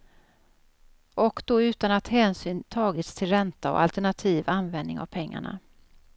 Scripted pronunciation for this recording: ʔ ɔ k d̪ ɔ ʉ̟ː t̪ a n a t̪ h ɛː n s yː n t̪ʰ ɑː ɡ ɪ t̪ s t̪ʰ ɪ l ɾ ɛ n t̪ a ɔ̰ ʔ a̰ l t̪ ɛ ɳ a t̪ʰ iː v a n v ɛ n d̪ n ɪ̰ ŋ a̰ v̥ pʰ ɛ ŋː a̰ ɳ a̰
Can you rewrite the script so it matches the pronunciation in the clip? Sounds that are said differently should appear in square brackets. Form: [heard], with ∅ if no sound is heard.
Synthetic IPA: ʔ ɔ k d̪ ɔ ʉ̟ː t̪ a n a t̪ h ɛː n s yː n t̪ʰ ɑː ɡ ɪ t̪ s t̪ʰ ɪ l ɾ ɛ n t̪ a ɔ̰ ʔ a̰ l t̪ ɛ ɳ a t̪ʰ iː v a n v ɛ n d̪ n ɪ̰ ŋ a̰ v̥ pʰ ɛ ŋː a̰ ɳ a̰